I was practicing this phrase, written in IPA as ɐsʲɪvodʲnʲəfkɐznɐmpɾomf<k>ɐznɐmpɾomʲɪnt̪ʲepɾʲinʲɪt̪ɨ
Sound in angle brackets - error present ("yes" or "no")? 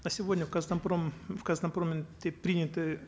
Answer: no